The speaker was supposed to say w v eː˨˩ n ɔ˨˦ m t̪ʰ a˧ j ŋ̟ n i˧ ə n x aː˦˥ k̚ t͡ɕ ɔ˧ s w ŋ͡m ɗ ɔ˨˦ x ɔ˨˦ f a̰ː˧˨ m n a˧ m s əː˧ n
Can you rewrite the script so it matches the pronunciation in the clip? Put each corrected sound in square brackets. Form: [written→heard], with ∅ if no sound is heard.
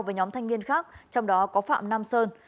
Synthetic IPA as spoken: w v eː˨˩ [n→ɲ] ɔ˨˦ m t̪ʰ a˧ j ŋ̟ [n→m] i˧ ə n x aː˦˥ k̚ t͡ɕ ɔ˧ [s→∅] w ŋ͡m ɗ ɔ˨˦ [x→k] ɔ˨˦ f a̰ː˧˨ m n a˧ m s əː˧ n